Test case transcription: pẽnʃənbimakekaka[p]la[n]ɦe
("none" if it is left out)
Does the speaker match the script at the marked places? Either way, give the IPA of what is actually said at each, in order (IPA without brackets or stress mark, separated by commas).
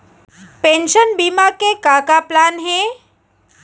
p, n